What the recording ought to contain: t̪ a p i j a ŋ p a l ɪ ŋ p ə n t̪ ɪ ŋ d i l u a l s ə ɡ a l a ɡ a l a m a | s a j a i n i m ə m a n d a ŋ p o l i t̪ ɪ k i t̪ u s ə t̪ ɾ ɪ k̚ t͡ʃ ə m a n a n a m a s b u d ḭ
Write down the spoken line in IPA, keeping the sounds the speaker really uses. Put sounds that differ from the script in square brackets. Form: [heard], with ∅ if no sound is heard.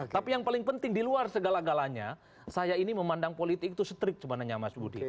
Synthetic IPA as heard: t̪ a p i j a ŋ p a l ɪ ŋ p ə n t̪ ɪ ŋ d i l u a [r] s ə ɡ a l a ɡ a l a [ɲ] a | s a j a i n i m ə m a n d a ŋ p o l i t̪ ɪ k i t̪ u s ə t̪ ɾ ɪ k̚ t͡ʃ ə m a n a [ɲ] a m a s b u d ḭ